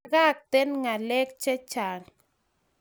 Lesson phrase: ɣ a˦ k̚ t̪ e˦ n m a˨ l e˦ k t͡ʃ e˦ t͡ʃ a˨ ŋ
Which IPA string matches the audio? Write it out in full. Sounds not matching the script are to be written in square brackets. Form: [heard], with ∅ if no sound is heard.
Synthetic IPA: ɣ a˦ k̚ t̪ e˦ n [ŋ] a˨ l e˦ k t͡ʃ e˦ t͡ʃ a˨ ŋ